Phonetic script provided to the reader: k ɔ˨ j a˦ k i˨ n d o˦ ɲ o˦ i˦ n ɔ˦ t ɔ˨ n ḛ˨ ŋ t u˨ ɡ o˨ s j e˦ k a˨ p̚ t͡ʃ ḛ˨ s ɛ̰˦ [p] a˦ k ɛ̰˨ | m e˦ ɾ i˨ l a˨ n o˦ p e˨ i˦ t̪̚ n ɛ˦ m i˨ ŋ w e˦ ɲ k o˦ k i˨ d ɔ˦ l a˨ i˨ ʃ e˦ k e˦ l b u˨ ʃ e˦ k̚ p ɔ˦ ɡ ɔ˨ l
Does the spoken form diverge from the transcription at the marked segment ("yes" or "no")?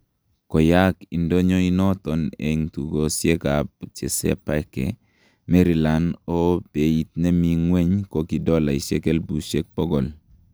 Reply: no